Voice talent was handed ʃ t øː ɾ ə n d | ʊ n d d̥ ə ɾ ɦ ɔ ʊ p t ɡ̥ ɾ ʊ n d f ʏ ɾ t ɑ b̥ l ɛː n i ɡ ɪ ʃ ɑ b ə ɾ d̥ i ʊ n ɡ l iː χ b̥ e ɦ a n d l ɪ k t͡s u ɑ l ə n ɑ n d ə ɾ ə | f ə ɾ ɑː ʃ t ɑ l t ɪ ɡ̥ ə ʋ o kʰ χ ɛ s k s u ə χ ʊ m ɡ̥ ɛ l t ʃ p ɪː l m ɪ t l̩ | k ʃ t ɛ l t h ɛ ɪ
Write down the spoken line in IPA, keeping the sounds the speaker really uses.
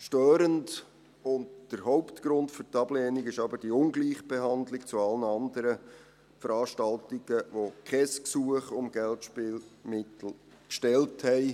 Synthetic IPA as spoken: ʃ t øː ɾ ə n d | ʊ n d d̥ ə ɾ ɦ ɔ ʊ p t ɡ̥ ɾ ʊ n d f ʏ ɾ t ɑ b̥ l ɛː n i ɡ ɪ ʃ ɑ b ə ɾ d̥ i ʊ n ɡ l iː χ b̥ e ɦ ɑ n d l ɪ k t͡s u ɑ l ə n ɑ n d ə ɾ ə | f ə ɾ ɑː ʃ t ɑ l t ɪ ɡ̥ ə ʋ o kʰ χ ɛ s k s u ə χ ʊ m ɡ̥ ɛ l t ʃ p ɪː l m ɪ t l̩ | k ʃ t ɛ l t h ɛ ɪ